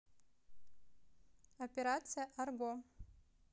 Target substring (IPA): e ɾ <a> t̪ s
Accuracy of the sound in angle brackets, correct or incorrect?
correct